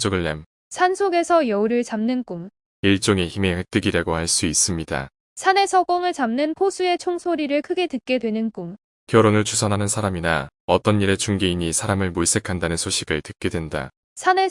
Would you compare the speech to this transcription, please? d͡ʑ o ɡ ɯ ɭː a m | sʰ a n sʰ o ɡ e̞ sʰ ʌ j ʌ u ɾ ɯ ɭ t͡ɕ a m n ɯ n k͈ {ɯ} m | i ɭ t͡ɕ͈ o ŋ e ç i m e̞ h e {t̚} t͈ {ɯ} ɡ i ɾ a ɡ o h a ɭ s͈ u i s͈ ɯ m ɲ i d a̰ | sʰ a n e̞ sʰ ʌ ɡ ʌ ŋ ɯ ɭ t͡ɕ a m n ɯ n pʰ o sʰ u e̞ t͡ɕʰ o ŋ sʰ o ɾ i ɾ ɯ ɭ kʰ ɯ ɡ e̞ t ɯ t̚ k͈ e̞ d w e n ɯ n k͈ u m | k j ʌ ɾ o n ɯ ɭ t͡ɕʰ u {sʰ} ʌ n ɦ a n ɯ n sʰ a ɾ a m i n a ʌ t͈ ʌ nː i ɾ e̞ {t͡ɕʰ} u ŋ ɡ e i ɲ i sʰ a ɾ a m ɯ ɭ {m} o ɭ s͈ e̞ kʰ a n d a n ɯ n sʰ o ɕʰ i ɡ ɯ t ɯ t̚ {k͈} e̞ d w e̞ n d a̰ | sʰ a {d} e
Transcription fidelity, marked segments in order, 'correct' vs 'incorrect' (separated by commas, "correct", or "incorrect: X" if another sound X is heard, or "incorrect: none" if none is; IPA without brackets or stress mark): incorrect: u, incorrect: k̚, correct, correct, incorrect: t͡ɕ, correct, correct, incorrect: n